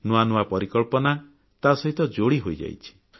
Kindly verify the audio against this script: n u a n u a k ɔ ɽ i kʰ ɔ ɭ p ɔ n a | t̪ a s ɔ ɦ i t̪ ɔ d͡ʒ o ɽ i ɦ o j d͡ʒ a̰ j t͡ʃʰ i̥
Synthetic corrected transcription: n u a n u a p ɔ ɾ i k ɔ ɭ p ɔ n a | t̪ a s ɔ ɦ i t̪ ɔ d͡ʒ o ɽ i ɦ o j d͡ʒ a̰ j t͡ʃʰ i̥